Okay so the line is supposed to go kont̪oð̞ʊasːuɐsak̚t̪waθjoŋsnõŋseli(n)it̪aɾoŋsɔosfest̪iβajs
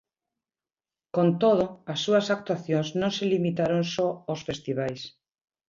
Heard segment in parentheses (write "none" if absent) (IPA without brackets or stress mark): m